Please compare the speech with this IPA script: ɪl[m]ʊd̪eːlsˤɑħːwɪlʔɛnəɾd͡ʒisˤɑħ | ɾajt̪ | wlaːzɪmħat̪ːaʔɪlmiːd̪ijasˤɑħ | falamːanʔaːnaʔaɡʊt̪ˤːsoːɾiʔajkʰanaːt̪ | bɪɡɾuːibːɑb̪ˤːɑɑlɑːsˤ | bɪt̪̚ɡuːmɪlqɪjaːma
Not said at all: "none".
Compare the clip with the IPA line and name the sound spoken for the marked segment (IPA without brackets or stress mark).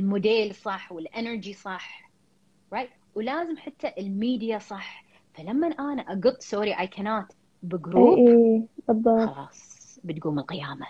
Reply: m